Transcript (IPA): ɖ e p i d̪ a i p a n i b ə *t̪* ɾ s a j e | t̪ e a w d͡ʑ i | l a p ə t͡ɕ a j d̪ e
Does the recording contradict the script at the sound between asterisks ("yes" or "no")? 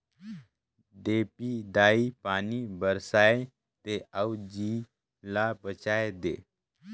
yes